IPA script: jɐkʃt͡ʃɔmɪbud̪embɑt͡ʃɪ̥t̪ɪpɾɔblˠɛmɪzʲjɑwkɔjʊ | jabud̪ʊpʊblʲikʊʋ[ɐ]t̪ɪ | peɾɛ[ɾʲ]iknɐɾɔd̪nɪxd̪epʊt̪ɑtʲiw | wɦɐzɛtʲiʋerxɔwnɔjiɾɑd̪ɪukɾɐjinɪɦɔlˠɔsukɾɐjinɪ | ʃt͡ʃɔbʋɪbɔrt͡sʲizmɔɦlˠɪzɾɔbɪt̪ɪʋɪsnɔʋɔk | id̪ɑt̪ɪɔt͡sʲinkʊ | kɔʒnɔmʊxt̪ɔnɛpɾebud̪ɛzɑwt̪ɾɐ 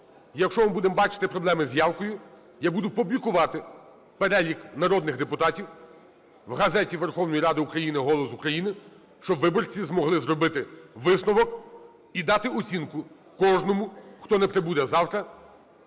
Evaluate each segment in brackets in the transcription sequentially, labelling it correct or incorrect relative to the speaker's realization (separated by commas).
incorrect, incorrect